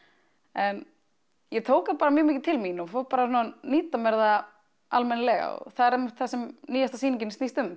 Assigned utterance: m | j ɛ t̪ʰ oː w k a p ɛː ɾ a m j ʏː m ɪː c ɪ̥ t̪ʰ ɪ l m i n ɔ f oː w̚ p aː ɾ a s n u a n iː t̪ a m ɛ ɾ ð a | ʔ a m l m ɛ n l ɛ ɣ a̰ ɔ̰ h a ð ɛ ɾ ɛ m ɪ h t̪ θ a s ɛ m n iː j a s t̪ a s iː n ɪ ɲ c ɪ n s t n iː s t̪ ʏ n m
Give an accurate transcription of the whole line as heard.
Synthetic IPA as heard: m | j ɛ t̪ʰ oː w k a p aː ɾ a m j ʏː m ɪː c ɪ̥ t̪ʰ ɪ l m i n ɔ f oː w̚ p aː ɾ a s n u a n iː t̪ a m ɛ ɾ ð a | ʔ a l m ɛ n l ɛ ɣ a̰ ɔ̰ θ a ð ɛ ɾ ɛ m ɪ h t̪ θ a s ɛ m n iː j a s t̪ a s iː n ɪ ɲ c ɪ n s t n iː s t̪ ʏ m